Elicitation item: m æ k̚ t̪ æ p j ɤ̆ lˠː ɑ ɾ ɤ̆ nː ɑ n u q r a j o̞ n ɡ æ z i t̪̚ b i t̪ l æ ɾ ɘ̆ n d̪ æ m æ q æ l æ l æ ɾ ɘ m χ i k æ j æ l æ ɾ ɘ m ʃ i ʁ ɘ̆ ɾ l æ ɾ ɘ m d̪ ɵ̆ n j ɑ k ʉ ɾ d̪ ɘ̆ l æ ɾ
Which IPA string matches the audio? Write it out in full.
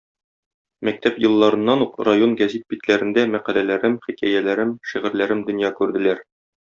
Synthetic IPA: m æ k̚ t̪ æ p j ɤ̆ lˠː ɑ ɾ ɤ̆ nː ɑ n u q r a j o̞ n ɡ æ z i t̪̚ b i t̪ l æ ɾ ɘ̆ n d̪ æ m æ q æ l æ l æ ɾ ɘ m χ i k æ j æ l æ ɾ ɘ m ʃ i ʁ ɘ̆ ɾ l æ ɾ ɘ m d̪ ɵ̆ n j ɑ k ʉ ɾ d̪ ɘ̆ l æ ɾ